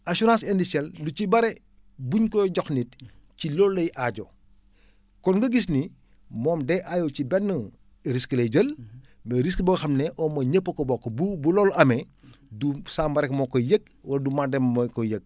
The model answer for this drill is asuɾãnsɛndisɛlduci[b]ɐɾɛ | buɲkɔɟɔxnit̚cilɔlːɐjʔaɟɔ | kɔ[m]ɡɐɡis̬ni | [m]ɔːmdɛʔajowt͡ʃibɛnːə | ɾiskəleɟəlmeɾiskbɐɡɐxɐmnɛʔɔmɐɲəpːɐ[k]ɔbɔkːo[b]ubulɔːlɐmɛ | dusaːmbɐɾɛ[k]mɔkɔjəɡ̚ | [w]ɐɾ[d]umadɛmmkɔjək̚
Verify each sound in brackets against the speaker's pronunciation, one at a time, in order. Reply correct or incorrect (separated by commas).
correct, incorrect, correct, correct, correct, correct, correct, correct